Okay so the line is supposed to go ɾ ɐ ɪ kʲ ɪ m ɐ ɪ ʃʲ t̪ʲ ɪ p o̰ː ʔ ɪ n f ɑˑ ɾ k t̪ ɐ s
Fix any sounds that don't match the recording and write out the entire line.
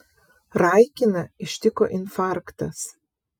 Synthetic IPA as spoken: ɾ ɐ ɪ kʲ ɪ n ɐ ɪ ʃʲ t̪ʲ ɪ k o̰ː ʔ ɪ n f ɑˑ ɾ k t̪ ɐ s

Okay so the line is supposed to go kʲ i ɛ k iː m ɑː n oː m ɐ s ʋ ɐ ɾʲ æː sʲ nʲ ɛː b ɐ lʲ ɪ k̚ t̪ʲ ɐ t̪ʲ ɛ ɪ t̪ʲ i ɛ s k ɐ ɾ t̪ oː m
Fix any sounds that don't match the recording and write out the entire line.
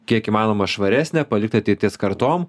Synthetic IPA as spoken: kʲ i ɛ k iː m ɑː n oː m ɐ ʃ ʋ ɐ ɾʲ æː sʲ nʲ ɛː p ɐ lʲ ɪ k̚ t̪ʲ ɐ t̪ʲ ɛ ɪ t̪ʲ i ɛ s k ɐ ɾ t̪ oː m

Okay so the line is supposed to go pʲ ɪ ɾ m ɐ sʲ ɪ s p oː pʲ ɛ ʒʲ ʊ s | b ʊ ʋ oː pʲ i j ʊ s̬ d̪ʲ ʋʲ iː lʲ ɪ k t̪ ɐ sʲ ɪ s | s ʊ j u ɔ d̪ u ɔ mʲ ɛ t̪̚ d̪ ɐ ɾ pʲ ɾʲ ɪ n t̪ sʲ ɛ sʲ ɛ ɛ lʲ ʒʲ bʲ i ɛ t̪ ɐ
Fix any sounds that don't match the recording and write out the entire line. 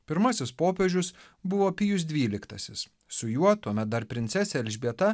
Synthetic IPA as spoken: pʲ ɪ ɾ m ɐ sʲ ɪ s p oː pʲ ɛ ʒʲ ʊ s | b ʊ ʋ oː pʲ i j ʊ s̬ d̪ʲ ʋʲ iː lʲ ɪ k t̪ ɐ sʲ ɪ s | s ʊ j u ɔ t̪ u ɔ mʲ ɛ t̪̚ d̪ ɐ ɾ pʲ ɾʲ ɪ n t̪ sʲ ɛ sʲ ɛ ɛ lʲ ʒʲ bʲ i ɛ t̪ ɐ

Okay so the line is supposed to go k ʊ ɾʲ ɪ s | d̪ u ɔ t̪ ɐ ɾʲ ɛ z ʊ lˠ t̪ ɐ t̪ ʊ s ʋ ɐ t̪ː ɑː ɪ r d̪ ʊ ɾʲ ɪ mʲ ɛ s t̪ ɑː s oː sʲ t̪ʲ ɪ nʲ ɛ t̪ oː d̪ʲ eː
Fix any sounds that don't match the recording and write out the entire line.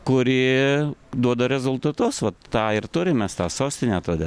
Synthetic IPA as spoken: k ʊ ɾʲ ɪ | d̪ u ɔ d̪ ɐ ɾʲ ɛ z ʊ lˠ t̪ ɐ t̪ ʊ s ʋ ɐ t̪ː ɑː ɪ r t̪ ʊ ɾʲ ɪ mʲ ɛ s t̪ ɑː s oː sʲ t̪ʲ ɪ nʲ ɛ t̪ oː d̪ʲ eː

